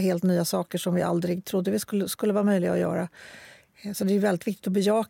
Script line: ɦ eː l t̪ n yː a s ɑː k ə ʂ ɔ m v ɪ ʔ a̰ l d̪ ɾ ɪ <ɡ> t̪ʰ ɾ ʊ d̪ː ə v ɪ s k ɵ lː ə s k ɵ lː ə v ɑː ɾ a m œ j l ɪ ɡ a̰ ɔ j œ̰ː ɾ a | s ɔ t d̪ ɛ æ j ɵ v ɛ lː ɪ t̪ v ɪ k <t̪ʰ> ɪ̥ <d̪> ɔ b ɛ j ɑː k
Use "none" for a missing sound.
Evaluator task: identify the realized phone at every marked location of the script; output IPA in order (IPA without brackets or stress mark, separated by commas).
ɡ, t̪, t̪